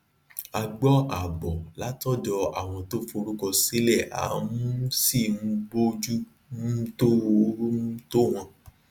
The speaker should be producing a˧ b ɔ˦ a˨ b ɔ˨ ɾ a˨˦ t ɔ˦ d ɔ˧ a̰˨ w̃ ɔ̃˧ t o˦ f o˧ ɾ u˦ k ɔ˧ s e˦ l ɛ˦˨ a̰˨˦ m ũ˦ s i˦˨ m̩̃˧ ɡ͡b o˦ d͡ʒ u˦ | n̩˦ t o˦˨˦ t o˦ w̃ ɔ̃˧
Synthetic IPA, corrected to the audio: a˧ ɡ͡b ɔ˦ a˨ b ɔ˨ l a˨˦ t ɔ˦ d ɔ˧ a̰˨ w̃ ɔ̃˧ t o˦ f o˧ ɾ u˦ k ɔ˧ s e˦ l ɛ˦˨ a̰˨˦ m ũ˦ s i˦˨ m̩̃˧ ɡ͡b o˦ d͡ʒ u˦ | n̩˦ t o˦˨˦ t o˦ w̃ ɔ̃˧

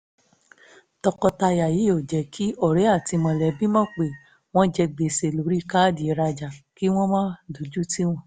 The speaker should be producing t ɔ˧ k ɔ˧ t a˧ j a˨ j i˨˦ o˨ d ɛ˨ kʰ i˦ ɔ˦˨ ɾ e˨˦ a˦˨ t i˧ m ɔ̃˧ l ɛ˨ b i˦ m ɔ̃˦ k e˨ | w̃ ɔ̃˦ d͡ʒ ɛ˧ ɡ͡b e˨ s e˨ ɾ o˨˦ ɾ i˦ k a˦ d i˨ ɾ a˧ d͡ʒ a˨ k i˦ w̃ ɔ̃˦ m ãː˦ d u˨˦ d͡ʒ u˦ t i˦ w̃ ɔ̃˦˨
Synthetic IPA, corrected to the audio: t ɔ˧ k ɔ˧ t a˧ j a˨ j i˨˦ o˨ d͡ʒ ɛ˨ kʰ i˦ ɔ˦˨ ɾ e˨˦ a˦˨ t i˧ m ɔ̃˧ l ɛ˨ b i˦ m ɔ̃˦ k͡p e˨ | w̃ ɔ̃˦ d͡ʒ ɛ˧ ɡ͡b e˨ s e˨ l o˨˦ ɾ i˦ k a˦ d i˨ ɾ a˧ d͡ʒ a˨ k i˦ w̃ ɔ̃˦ m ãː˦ d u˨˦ d͡ʒ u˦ t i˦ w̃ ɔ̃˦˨

